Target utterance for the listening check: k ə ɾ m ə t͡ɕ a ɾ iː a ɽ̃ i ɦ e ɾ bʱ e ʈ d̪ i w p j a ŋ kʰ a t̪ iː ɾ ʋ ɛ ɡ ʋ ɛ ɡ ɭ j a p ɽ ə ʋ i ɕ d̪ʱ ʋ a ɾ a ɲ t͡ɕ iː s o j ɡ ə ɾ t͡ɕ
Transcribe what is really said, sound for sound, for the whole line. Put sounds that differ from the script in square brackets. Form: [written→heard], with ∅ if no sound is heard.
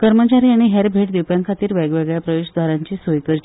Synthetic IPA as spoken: k ə ɾ m ə t͡ɕ a ɾ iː a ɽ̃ i ɦ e ɾ bʱ e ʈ d̪ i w p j a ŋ kʰ a t̪ iː ɾ ʋ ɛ ɡ ʋ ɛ ɡ ɭ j a p [ɽ→ɾ] ə ʋ [i→e] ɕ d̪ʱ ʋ a ɾ a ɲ t͡ɕ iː s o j [ɡ→k] ə ɾ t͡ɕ